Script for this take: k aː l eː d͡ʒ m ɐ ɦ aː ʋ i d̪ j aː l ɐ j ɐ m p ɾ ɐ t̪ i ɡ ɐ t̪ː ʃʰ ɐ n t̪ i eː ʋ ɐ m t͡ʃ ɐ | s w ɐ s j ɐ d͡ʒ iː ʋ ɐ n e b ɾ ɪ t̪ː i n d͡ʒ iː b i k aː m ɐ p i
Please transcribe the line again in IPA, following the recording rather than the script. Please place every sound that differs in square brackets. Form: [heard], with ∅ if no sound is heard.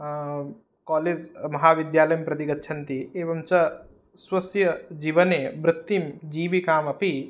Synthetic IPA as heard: k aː l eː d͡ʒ m ɐ ɦ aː ʋ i d̪ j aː l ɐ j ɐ m p ɾ ɐ t̪ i ɡ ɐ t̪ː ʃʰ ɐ n t̪ i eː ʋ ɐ m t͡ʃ ɐ | s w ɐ s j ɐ d͡ʒ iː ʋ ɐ n e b ɾ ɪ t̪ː i [m] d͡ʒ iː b i k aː m ɐ p i